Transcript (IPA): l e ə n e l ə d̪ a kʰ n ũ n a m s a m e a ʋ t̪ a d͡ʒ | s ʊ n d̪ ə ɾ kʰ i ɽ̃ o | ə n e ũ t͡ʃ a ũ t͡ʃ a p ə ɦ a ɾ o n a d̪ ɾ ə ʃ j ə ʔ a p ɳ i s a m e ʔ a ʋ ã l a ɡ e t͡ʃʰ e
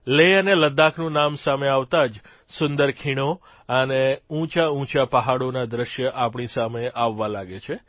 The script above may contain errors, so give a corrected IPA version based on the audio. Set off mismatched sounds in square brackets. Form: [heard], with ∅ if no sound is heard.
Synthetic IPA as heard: l e ə n e l ə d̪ a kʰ n ũ n a m s a m e a ʋ t̪ a d͡ʒ | s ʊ n d̪ ə ɾ kʰ i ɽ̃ o | ə n e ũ t͡ʃ a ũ t͡ʃ a p ə ɦ a [ɽ] o n a d̪ ɾ ə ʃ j ə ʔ a p ɳ i s a m e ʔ a [ʋː] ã l a ɡ e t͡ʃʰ e